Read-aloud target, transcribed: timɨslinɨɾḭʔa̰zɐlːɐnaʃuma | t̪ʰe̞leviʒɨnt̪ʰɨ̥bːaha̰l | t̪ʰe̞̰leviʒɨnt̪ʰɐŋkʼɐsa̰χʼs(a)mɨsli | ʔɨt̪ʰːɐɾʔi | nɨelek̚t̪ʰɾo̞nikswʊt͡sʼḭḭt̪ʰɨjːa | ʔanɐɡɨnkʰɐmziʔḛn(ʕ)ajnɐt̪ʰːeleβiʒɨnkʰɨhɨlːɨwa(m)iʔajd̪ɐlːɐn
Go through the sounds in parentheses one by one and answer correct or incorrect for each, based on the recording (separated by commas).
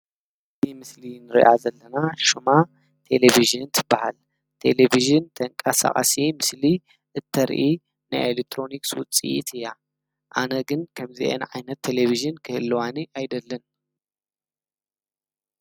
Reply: incorrect, correct, incorrect